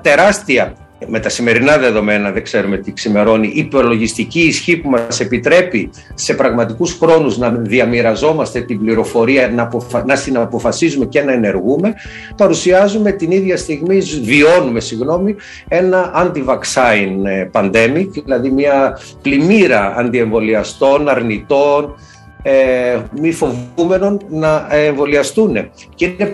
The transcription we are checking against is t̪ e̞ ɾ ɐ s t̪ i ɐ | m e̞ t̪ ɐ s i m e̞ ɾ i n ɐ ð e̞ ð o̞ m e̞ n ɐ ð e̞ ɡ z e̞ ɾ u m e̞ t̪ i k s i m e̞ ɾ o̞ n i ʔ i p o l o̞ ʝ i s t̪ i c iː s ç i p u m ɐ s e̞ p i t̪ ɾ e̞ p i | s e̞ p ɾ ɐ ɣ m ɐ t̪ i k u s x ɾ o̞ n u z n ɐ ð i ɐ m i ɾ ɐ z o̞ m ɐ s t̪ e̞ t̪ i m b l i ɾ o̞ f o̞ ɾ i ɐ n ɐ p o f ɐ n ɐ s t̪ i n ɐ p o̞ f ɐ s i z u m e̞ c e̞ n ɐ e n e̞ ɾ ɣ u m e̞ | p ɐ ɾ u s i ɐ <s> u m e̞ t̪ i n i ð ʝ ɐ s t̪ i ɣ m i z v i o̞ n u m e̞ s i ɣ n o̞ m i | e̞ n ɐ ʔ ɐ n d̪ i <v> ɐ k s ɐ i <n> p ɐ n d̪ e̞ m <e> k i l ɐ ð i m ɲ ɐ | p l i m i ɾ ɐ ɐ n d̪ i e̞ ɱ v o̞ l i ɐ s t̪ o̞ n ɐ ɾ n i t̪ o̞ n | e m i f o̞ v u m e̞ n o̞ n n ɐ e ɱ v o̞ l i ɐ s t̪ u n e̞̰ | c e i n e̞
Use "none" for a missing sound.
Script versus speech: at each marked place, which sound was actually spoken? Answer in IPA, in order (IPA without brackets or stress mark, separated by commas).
z, v, n, i